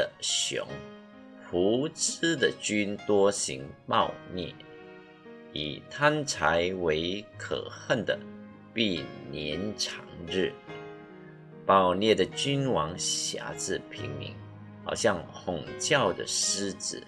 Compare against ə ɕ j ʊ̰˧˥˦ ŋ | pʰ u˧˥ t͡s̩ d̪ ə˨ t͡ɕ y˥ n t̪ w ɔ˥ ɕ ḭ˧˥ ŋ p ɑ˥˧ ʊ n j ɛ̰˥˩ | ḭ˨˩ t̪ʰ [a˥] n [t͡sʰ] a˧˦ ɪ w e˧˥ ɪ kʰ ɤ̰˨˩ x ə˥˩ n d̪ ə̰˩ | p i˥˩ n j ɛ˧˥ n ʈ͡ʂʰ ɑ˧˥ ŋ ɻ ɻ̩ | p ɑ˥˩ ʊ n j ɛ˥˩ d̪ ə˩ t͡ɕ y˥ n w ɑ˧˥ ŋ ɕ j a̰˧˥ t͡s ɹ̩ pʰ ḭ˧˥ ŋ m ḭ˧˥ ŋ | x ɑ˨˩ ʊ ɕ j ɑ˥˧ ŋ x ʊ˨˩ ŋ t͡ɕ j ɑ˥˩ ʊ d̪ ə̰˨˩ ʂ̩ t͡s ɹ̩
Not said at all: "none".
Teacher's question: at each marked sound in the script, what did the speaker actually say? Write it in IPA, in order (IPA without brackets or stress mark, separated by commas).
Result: a˥, t͡sʰ